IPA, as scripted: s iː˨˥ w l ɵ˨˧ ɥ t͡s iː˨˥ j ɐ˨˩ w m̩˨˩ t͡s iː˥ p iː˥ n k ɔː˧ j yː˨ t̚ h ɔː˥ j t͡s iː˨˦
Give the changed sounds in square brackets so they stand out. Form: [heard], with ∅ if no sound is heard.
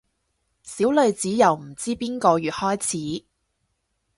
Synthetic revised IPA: s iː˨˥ w l ɵ˨˧ ɥ t͡s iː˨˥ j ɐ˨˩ w m̩˨˩ t͡s iː˥ p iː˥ n k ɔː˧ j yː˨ t̚ h ɔː˥ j [t͡sʰ] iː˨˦